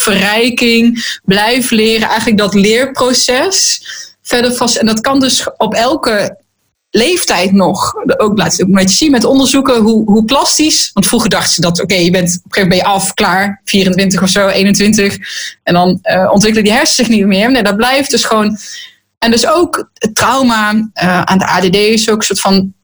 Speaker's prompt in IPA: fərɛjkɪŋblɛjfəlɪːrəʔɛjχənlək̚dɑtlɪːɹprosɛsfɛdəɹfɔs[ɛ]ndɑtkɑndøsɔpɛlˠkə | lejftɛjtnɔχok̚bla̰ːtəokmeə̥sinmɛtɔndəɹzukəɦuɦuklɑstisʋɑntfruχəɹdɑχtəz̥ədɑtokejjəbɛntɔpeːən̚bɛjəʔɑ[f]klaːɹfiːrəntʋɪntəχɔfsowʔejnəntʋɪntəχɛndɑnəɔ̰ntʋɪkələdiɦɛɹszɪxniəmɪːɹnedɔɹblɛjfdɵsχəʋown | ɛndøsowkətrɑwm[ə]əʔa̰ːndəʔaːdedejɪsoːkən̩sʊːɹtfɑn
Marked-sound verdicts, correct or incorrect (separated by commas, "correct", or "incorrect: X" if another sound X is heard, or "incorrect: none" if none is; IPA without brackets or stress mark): correct, correct, incorrect: a